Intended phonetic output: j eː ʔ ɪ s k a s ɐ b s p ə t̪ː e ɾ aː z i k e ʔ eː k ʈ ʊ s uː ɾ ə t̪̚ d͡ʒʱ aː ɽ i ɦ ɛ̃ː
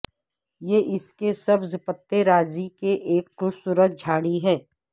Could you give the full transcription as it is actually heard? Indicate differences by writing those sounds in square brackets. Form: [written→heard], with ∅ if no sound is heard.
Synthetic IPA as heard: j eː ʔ ɪ s k [a→e] s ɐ b [s→z] p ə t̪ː e ɾ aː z i k e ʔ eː k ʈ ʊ s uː ɾ ə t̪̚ d͡ʒʱ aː ɽ i ɦ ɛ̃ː